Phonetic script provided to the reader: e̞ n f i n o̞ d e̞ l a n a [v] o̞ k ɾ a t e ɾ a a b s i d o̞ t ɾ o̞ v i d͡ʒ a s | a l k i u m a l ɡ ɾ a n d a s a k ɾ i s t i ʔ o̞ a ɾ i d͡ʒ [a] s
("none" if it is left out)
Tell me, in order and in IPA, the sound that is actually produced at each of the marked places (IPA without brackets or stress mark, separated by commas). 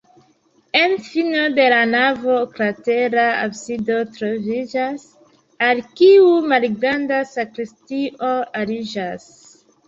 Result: v, a